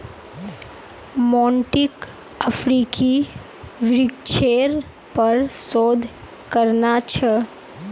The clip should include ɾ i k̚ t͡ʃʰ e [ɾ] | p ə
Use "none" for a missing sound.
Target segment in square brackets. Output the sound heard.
ɾ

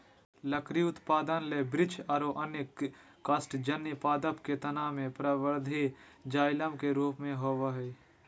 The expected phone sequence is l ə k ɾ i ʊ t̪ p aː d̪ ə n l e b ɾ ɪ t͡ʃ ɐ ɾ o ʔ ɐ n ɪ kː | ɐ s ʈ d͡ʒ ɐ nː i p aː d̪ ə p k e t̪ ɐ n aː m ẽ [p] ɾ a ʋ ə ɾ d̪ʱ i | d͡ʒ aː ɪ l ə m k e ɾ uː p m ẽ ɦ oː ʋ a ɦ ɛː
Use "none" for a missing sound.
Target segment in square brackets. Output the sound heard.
p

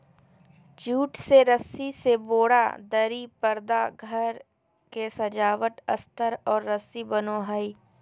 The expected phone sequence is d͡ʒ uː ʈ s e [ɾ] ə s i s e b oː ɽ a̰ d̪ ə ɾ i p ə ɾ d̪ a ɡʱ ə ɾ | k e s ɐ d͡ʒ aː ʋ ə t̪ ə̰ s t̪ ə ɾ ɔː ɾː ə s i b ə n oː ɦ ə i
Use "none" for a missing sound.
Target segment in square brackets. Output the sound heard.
ɾ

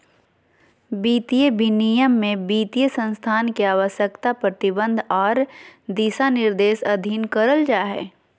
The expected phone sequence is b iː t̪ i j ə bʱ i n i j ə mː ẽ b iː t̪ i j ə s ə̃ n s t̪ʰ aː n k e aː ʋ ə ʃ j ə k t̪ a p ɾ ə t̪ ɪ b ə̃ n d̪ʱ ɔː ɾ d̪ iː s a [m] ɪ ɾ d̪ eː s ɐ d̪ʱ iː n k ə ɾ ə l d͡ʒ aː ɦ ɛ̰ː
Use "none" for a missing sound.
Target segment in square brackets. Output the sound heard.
n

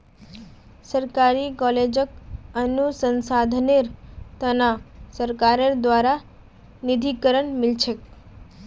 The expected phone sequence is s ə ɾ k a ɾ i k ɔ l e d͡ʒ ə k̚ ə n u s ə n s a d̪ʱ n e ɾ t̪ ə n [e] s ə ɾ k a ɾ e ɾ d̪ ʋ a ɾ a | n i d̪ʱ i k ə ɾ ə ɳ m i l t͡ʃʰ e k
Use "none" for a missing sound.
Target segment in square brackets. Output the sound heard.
a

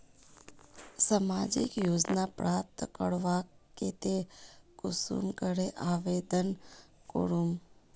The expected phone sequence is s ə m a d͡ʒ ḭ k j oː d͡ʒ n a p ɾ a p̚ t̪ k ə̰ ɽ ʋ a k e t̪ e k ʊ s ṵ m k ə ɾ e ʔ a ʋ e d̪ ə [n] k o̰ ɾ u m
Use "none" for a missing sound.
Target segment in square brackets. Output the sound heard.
n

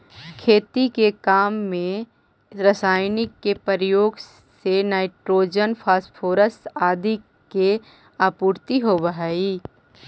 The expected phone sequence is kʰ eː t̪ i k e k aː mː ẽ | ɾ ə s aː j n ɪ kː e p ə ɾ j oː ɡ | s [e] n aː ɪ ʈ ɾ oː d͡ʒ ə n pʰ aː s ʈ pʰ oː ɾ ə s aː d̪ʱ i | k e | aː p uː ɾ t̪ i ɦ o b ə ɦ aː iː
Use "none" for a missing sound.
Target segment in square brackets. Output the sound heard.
e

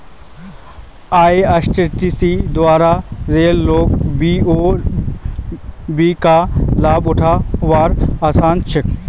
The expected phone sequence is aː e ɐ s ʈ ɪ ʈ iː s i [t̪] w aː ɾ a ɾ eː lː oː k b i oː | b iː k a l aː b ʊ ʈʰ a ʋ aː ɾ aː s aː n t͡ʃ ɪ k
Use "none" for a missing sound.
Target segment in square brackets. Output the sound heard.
d̪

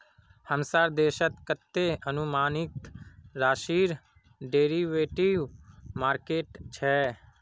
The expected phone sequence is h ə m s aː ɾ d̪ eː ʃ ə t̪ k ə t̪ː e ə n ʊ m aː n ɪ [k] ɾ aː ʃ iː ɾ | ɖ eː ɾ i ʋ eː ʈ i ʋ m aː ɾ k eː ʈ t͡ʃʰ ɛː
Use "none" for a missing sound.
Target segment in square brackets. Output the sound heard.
k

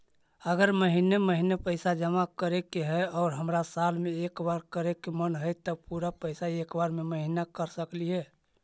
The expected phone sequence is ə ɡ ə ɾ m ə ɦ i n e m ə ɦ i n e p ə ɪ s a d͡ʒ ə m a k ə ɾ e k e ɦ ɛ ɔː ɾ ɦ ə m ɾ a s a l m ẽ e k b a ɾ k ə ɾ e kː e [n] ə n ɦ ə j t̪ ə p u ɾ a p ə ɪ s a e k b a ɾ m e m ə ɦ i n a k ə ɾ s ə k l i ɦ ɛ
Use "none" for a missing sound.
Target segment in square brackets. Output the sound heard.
m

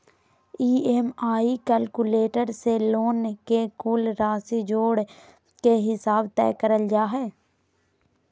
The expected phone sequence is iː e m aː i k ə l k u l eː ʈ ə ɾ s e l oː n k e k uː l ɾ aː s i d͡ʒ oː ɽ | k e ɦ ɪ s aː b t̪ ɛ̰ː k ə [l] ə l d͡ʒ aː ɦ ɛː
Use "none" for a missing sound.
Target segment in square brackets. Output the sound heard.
ɾ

